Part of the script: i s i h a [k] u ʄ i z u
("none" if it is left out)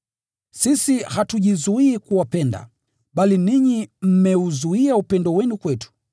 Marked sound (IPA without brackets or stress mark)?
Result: t